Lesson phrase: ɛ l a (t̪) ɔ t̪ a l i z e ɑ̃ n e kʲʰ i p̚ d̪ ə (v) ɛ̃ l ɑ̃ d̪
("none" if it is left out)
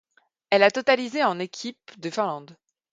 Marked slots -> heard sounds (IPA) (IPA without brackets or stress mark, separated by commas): t̪, f